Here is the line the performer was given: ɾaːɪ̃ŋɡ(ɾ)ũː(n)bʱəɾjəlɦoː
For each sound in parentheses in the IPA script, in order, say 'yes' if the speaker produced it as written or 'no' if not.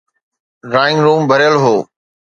yes, no

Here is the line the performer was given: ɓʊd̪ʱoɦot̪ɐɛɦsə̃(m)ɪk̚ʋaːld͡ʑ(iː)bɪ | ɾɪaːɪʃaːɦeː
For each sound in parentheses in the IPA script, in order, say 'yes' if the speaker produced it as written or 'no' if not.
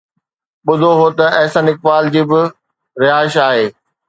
no, yes

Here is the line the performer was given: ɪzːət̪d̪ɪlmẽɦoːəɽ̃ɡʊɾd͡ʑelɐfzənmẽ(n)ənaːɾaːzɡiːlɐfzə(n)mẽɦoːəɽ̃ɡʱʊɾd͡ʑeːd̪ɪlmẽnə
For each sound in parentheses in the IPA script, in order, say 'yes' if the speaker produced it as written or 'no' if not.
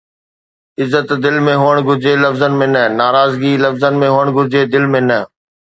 yes, yes

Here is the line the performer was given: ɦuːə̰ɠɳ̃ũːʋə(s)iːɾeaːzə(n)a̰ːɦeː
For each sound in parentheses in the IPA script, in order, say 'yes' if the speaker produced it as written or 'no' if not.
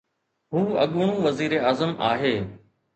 no, no

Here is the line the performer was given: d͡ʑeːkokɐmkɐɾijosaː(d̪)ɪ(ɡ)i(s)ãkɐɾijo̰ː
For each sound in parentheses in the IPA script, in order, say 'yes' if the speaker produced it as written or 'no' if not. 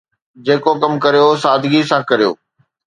yes, yes, yes

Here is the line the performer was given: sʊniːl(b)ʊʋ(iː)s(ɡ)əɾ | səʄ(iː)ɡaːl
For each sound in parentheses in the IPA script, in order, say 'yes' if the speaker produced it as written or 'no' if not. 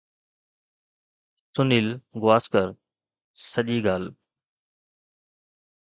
no, no, no, yes

